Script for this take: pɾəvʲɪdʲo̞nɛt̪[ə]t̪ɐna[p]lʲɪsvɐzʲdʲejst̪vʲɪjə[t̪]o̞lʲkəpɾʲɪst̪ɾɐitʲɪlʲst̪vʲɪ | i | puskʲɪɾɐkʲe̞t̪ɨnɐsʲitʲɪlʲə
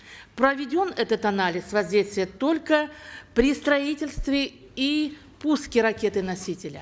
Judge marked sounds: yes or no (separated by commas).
yes, no, yes